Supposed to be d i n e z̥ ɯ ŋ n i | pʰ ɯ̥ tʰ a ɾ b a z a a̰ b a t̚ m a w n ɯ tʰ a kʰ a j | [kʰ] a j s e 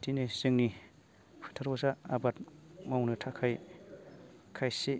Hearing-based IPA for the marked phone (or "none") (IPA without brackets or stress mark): kʰ